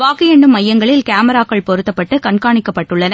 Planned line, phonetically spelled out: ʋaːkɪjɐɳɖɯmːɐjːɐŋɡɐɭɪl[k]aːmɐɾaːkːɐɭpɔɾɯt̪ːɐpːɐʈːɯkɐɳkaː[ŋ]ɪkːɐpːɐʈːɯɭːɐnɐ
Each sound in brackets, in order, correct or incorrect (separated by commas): correct, incorrect